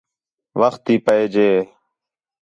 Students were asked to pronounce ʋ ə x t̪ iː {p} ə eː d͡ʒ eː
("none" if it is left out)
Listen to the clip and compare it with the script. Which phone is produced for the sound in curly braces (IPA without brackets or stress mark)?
p